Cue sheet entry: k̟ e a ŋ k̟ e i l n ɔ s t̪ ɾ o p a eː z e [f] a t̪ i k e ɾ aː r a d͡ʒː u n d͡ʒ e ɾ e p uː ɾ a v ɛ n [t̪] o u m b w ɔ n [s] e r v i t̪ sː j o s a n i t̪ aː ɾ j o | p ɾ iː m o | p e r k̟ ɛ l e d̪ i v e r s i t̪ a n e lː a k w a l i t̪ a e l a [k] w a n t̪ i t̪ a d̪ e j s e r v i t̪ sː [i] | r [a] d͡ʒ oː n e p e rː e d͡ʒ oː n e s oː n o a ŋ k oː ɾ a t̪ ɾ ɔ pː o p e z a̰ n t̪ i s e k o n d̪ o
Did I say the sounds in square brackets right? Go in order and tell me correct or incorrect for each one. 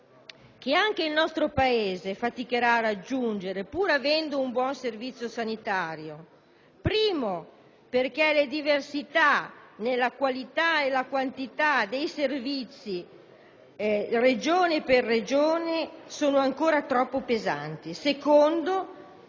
correct, incorrect: d̪, correct, correct, correct, incorrect: e

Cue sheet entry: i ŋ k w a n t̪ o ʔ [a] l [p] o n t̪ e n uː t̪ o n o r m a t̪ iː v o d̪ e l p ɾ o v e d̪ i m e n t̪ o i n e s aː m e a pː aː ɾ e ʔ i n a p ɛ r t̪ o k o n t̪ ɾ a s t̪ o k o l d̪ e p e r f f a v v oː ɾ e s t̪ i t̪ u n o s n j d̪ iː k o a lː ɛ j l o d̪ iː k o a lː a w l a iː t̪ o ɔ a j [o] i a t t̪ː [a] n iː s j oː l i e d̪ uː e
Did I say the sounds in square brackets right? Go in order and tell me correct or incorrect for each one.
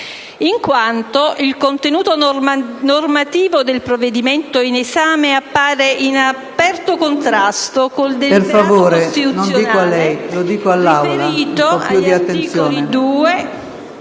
incorrect: i, incorrect: k, incorrect: u, incorrect: e

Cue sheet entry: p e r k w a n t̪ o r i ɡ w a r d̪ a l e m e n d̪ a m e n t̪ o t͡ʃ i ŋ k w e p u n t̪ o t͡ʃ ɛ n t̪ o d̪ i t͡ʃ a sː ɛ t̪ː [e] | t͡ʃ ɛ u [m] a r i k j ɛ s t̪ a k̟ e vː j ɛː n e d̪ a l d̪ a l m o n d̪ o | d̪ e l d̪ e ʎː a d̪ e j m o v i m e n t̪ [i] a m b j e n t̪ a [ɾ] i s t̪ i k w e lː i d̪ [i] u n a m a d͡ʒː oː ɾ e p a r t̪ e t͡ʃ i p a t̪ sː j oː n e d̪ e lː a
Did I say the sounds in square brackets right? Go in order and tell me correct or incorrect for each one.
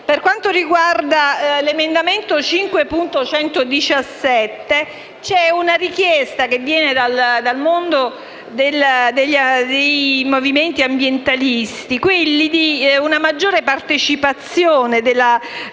correct, incorrect: n, correct, incorrect: l, correct

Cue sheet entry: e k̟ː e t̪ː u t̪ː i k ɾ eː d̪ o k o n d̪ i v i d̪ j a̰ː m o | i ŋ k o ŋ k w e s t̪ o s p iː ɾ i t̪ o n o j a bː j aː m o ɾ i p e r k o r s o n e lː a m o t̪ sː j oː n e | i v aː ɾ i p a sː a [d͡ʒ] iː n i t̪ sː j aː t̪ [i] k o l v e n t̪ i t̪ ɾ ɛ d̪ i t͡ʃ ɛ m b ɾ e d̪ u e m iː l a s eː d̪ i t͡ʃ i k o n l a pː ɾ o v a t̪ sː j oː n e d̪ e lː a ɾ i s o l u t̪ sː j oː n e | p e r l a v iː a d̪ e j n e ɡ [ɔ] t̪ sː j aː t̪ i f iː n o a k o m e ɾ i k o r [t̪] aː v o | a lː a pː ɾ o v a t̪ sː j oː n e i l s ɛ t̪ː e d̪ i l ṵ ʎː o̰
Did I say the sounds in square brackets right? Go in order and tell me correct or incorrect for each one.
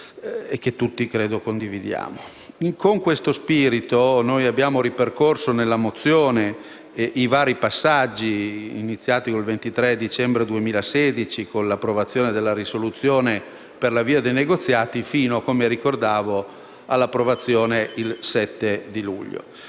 incorrect: d͡ʒː, correct, incorrect: o, incorrect: d̪

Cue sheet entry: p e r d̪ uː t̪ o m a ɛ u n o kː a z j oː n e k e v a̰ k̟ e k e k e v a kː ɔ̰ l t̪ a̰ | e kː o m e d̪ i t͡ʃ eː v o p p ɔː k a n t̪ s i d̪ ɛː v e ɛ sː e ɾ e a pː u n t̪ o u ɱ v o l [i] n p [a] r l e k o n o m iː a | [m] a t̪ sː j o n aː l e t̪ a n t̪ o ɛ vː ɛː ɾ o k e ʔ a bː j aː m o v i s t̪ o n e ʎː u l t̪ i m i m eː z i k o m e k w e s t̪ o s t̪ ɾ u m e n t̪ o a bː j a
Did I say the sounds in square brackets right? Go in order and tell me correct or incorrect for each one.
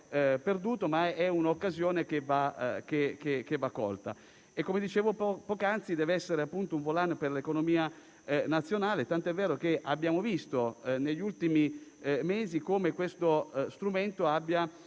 incorrect: a, incorrect: e, incorrect: n

